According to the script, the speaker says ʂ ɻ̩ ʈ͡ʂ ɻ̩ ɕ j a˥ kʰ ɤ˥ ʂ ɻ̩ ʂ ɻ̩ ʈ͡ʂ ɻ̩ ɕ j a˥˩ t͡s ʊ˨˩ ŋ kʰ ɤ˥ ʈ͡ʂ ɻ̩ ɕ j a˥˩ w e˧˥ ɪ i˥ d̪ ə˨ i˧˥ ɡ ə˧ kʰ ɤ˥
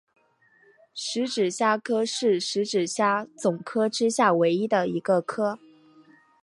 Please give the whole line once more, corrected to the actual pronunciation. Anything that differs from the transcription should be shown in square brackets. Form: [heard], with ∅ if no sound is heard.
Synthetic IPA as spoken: ʂ ɻ̩ ʈ͡ʂ ɻ̩ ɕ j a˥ kʰ ɤ˥ ʂ ɻ̩ ʂ ɻ̩ ʈ͡ʂ ɻ̩ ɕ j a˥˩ t͡s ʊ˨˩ ŋ kʰ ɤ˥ ʈ͡ʂ ɻ̩ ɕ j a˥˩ w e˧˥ ɪ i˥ d̪ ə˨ i˧˥ ɡ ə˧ kʰ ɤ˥